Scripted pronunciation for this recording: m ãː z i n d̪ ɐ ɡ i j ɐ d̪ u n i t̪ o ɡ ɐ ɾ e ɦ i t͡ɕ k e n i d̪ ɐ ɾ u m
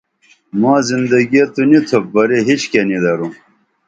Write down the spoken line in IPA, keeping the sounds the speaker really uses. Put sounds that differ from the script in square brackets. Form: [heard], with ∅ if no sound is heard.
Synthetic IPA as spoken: m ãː z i n d̪ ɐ ɡ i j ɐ [t̪] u n i [t̪ʰ] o [b] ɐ ɾ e ɦ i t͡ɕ k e n i d̪ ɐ ɾ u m